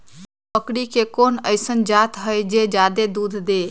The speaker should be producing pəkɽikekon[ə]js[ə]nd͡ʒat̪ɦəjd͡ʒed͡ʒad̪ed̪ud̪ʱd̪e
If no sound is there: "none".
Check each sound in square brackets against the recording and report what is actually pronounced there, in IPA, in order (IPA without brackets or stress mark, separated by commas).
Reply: ə, ə